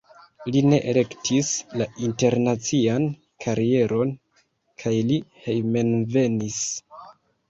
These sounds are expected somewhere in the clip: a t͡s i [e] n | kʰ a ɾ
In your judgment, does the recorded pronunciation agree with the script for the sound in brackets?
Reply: no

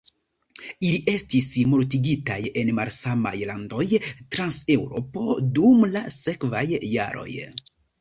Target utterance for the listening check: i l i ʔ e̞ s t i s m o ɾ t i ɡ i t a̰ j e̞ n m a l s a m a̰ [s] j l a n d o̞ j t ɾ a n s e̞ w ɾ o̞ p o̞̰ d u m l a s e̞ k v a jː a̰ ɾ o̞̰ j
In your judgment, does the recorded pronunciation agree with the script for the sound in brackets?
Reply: no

